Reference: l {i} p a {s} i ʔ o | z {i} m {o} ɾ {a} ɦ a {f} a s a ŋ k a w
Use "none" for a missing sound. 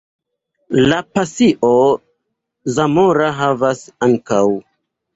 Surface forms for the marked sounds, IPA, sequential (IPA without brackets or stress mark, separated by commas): a, s, a, o, a, v